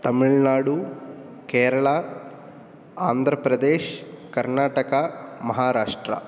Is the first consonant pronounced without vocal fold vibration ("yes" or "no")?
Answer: yes